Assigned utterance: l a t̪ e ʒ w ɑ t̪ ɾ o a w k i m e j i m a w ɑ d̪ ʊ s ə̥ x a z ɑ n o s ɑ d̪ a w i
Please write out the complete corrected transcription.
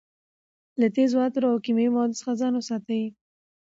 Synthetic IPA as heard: l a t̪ e z w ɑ t̪ ɾ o a w k i m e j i m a w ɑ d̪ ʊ s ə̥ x a z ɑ n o s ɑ t̪ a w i